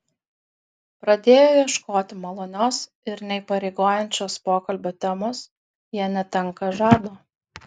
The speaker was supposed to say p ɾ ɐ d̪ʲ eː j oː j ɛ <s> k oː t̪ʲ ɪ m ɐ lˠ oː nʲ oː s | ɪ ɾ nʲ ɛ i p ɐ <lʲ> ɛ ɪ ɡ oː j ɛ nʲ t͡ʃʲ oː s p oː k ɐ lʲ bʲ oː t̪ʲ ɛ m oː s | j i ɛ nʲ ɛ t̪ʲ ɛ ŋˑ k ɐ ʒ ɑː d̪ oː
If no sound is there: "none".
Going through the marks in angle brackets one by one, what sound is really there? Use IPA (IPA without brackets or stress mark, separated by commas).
ʃ, ɾʲ